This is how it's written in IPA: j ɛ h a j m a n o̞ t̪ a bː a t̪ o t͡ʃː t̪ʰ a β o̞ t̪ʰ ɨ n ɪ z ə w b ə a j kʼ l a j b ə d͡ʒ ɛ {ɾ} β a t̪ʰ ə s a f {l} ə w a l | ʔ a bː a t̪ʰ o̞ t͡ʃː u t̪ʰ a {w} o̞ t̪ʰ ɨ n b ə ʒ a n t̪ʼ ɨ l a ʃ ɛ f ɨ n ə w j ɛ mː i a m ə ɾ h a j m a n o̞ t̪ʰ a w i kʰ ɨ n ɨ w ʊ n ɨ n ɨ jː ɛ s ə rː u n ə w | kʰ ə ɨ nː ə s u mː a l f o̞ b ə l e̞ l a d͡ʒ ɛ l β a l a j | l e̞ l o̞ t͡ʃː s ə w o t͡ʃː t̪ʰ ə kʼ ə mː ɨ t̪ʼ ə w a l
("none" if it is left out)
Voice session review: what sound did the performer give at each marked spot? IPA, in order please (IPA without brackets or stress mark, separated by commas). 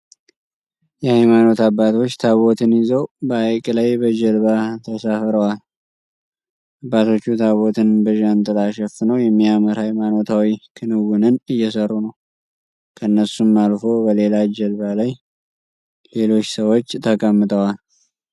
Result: l, ɾ, β